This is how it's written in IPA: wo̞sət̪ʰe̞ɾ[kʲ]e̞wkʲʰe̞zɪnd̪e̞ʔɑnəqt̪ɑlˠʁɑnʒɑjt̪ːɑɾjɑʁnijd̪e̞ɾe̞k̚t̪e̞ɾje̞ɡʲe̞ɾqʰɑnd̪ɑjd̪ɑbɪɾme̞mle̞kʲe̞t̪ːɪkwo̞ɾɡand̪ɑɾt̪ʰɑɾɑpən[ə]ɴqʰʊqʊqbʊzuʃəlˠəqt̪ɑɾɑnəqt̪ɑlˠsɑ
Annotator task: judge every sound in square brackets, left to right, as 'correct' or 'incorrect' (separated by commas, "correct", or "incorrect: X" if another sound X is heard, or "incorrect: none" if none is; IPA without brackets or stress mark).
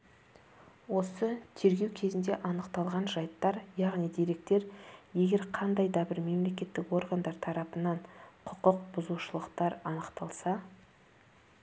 incorrect: ɡʲ, incorrect: ɑ